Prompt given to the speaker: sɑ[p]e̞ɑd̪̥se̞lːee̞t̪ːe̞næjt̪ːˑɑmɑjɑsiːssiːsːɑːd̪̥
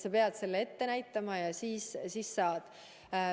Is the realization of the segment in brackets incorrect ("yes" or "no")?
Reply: no